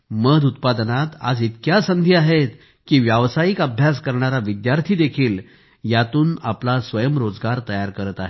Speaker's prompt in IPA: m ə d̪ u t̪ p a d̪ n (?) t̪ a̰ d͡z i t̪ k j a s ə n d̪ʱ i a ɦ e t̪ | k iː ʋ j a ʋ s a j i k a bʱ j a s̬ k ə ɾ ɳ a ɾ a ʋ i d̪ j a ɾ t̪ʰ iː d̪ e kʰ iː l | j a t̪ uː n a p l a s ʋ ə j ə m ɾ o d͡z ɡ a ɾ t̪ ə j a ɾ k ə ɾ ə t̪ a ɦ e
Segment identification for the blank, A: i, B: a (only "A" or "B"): B